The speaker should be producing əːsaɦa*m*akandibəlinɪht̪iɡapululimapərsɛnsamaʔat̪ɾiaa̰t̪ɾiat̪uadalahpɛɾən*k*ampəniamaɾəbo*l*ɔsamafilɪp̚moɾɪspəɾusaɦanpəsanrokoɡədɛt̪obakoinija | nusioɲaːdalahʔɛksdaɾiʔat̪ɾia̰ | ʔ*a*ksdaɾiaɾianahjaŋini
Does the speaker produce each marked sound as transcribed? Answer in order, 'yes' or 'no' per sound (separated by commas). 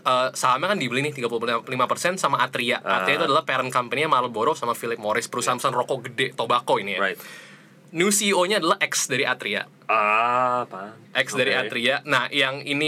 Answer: yes, yes, no, no